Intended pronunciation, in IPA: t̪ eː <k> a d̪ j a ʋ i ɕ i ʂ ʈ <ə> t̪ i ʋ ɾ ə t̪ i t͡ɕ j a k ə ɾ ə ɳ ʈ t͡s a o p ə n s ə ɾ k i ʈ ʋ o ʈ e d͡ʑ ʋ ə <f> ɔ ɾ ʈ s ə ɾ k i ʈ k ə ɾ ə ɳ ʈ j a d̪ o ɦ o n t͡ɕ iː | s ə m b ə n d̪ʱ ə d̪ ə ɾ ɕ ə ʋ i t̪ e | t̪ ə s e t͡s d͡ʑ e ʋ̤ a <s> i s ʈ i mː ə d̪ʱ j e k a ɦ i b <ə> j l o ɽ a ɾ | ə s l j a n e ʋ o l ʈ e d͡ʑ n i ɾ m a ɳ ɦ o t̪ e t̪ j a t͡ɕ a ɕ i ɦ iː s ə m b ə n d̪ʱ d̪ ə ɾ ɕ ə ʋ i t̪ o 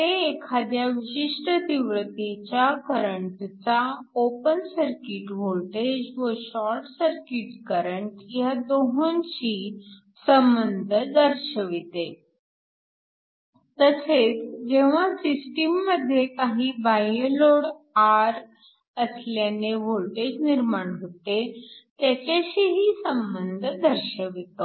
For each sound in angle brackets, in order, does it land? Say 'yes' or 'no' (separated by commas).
no, yes, no, yes, no